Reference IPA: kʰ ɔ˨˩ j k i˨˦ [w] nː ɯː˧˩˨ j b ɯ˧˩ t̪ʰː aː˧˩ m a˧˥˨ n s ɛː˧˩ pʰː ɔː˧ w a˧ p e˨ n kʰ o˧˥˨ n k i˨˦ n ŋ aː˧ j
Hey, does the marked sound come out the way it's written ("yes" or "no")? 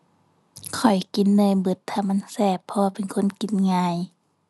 no